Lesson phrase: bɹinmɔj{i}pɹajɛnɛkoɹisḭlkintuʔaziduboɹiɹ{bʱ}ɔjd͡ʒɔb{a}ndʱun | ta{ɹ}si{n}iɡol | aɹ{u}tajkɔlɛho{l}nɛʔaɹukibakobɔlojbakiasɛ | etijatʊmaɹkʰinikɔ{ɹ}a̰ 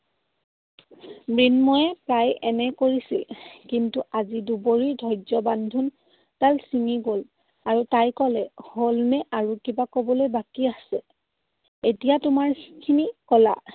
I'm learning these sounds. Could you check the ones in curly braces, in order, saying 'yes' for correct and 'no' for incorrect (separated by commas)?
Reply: no, no, yes, no, no, yes, yes, no